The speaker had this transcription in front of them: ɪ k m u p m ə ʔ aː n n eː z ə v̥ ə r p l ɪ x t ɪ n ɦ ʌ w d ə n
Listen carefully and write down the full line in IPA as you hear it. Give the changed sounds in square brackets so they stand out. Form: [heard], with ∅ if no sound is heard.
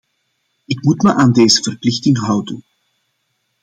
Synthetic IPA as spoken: ɪ k m u [t] m ə ʔ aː n [d] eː z ə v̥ ə r p l ɪ x t ɪ [ŋ] ɦ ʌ w d ə n